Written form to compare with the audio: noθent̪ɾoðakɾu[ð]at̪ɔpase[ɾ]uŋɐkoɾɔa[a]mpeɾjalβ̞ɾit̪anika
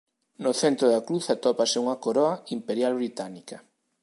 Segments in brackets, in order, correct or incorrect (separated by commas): incorrect, incorrect, incorrect